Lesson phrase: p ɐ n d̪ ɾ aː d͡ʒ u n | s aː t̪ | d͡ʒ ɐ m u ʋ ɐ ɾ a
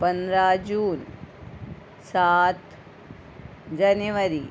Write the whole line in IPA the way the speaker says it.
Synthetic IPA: p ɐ n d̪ ɾ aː d͡ʒ uː n | s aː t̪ | d͡ʒ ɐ n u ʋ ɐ ɾ i